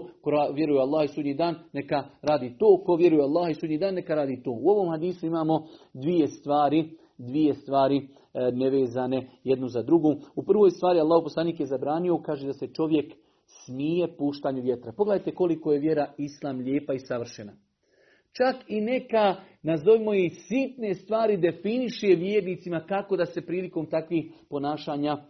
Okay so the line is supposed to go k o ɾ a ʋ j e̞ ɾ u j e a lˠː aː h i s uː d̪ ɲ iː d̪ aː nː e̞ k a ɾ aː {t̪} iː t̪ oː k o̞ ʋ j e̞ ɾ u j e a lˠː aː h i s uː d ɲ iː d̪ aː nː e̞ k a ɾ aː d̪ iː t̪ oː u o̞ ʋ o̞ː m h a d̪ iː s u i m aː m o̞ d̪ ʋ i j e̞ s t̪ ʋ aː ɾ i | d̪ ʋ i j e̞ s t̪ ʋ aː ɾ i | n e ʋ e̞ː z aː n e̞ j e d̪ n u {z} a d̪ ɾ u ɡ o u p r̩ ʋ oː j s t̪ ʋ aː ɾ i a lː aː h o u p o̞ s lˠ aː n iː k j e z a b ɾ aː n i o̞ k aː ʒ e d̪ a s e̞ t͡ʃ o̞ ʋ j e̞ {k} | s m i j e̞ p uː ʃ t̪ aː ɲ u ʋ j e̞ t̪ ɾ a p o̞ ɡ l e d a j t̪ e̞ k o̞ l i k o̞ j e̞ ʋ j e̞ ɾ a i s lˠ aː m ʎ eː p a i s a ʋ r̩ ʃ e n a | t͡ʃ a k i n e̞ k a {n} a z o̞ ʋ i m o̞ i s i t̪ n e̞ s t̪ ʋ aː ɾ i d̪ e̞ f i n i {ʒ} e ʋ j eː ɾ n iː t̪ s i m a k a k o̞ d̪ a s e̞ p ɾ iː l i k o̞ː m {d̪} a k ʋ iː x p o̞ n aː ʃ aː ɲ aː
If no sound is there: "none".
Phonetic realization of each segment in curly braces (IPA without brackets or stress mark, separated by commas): d̪, z, k, n, ʃ, t̪